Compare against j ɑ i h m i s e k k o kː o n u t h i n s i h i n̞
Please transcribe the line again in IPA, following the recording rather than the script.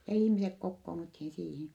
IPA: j ɑ i h m i s e k k o kː oː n u t h i n s iː h i n̞